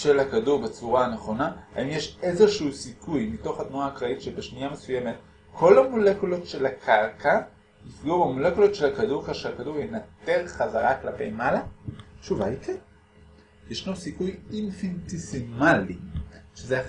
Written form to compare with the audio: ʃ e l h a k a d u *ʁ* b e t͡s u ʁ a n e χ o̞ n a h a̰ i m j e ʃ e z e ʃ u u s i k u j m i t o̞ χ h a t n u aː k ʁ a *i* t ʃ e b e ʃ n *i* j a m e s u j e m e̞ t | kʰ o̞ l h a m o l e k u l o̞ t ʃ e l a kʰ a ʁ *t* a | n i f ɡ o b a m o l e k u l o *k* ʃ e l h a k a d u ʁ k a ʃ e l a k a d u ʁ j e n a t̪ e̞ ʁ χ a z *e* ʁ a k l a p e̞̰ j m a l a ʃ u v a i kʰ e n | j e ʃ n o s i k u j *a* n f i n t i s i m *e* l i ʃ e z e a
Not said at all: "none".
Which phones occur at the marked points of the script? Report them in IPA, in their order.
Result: ʁ, i, i, k, t, a, i, a

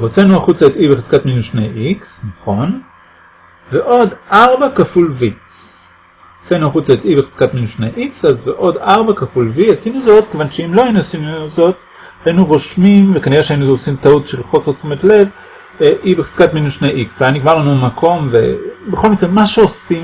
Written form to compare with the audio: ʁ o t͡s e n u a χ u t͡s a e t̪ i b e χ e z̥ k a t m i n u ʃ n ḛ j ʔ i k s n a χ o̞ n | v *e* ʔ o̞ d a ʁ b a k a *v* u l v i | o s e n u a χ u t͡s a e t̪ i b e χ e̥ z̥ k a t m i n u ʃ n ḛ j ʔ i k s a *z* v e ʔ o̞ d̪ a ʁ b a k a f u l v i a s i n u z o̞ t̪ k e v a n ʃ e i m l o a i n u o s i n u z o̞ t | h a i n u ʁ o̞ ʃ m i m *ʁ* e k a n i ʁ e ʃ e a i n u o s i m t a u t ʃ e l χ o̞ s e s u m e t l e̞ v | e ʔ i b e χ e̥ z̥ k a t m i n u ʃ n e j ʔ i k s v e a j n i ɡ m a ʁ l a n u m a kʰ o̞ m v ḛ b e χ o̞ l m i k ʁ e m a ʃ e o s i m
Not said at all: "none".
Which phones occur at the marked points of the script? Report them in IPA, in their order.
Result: e, f, z, v

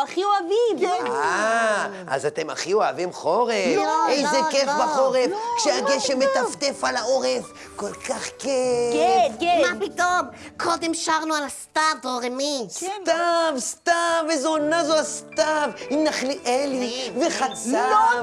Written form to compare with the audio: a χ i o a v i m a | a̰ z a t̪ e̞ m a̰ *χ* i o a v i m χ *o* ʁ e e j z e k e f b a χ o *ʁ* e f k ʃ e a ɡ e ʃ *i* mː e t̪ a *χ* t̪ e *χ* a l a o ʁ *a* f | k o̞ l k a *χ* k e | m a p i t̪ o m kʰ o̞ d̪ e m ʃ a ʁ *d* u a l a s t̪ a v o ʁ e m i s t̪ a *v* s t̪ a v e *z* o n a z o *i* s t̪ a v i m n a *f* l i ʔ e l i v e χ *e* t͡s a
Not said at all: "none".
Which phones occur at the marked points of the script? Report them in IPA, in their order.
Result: χ, o, ʁ, e, f, f, e, χ, n, v, z, a, χ, a

